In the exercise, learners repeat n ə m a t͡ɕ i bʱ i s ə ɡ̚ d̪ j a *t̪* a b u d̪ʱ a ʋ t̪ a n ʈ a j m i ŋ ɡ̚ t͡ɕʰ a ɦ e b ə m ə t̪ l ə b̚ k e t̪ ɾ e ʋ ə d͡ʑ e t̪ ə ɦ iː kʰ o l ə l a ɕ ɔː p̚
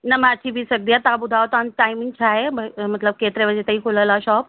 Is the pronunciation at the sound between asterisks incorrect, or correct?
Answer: correct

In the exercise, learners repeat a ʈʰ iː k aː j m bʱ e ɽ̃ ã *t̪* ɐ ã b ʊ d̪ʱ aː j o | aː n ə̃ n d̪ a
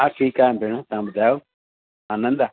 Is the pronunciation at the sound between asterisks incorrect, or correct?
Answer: correct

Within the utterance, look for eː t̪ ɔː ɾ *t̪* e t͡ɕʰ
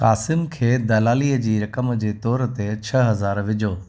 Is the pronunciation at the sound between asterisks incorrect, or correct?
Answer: correct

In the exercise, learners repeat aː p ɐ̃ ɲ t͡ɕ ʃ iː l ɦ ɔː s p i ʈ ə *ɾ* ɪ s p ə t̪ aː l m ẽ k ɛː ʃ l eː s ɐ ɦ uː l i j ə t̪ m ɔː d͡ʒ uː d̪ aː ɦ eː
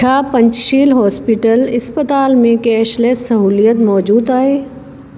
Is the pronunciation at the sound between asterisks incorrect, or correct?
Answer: incorrect: l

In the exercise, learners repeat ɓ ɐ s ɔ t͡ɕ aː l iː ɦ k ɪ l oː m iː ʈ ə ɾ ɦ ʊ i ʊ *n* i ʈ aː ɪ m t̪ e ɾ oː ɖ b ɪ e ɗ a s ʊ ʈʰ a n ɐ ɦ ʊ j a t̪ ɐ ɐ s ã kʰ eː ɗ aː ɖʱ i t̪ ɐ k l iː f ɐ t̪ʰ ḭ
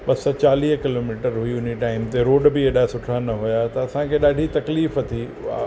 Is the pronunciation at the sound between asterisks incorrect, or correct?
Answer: correct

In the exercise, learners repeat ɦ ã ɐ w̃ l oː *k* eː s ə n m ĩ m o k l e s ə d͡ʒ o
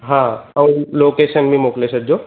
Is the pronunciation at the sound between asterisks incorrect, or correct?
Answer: correct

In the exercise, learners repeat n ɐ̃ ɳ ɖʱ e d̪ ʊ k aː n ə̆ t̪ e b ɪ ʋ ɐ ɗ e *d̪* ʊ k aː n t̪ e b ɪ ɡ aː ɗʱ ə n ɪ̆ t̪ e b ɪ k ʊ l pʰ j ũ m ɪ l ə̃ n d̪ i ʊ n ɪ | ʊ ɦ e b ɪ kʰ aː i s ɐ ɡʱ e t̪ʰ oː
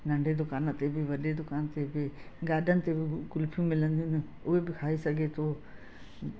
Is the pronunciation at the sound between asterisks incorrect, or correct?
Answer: correct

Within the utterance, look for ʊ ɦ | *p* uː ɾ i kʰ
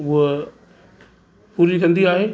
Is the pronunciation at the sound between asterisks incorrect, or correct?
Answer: correct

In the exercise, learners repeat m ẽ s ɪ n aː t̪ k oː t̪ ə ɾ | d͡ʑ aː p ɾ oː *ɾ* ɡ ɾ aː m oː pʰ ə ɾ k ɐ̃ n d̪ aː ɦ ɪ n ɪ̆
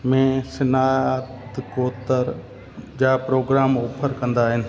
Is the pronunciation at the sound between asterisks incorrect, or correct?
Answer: incorrect: none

